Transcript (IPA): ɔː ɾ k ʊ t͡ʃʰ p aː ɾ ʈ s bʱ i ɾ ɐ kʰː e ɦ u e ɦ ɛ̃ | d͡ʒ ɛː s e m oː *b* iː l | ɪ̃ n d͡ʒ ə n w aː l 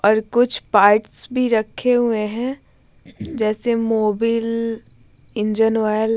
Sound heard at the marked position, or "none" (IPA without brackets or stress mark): b